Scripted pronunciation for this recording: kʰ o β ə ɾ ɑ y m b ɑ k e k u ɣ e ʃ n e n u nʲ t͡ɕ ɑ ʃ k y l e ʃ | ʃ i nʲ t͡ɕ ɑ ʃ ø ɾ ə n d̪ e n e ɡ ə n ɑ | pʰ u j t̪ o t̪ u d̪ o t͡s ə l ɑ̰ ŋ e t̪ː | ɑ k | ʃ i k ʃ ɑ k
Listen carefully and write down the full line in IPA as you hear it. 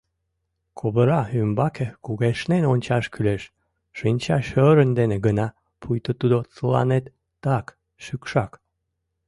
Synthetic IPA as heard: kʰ o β ə ɾ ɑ y m b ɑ k e k u ɣ e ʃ n e n o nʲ t͡ɕ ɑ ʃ k y l e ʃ | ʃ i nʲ t͡ɕ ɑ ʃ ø ɾ ə n d̪ e n e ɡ ə n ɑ | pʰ u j t̪ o t̪ u d̪ o t͡s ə l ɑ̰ n e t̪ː | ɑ k | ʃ y k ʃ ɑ k